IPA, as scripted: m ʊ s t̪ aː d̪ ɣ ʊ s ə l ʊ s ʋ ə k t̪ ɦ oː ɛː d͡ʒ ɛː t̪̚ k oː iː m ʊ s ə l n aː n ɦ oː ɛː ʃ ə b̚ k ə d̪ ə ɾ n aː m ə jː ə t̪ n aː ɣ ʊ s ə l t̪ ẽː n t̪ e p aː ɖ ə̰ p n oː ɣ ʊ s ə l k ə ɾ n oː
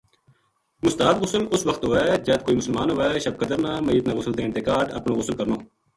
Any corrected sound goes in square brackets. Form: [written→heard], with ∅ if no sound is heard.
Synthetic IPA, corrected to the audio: m ʊ s t̪ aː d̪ ɣ ʊ s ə l ʊ s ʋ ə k t̪ ɦ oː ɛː d͡ʒ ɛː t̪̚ k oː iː m ʊ s ə l [n→m] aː n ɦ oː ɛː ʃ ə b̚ k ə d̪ ə ɾ n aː m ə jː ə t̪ n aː ɣ ʊ s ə l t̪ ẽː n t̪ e [p→k] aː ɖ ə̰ p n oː ɣ ʊ s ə l k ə ɾ n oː